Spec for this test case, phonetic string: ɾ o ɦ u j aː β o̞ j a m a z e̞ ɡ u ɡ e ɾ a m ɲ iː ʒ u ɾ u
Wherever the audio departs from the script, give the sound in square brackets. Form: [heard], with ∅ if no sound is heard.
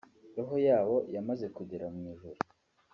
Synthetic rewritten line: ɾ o ɦ [o] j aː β o̞ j a m a z e̞ [k] u [ɟ] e ɾ a m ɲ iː ʒ u ɾ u